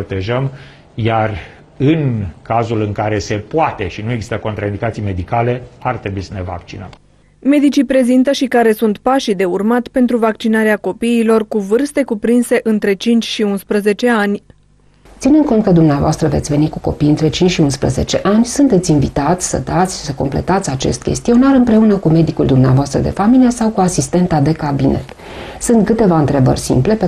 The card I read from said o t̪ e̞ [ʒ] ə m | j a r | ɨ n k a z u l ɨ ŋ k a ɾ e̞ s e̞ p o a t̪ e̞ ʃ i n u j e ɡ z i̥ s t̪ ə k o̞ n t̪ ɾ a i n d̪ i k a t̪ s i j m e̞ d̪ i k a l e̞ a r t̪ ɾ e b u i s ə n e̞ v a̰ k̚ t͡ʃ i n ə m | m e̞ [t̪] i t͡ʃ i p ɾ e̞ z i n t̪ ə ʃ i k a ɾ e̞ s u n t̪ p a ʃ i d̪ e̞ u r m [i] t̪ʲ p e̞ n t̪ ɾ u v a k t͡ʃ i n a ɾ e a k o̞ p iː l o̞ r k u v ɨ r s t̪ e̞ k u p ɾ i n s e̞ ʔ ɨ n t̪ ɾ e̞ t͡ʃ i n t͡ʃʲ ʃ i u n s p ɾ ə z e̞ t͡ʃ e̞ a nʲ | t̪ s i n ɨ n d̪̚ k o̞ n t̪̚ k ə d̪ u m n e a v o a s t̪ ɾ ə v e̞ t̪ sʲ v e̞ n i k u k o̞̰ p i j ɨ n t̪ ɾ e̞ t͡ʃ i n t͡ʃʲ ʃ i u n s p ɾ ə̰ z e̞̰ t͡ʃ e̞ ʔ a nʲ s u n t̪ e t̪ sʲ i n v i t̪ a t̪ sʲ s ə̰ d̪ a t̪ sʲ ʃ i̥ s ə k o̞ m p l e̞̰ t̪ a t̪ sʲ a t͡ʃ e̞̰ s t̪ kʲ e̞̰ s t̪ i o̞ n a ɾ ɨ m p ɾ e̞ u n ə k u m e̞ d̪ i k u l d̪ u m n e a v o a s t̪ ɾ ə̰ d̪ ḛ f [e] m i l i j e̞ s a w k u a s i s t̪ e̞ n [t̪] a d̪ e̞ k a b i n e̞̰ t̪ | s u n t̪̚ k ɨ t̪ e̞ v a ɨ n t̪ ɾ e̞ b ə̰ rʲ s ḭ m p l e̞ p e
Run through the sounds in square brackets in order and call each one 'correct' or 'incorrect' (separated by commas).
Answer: correct, incorrect, incorrect, incorrect, correct